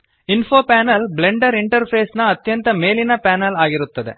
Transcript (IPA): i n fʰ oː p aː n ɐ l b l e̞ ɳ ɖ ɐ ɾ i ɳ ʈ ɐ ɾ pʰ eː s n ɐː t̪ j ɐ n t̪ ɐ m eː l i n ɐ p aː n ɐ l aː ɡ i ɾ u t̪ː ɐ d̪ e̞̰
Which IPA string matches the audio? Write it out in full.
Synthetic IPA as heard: i n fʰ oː p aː n ɐ l b l e̞ ɳ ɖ ɐ ɾ i ɳ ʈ ɐ ɾ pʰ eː s n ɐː t̪ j ɐ n t̪ ɐ m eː l i n ɐ p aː n ɐ l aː ɡ i ɾ u t̪ː ɐ d̪ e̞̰